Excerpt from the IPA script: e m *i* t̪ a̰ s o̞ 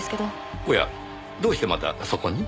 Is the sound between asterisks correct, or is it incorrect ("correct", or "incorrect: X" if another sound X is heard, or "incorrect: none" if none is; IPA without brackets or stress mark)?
incorrect: a